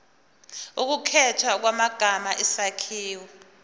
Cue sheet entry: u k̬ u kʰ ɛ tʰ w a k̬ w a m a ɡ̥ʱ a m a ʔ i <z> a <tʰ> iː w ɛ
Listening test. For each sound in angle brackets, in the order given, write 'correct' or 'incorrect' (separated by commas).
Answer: incorrect, incorrect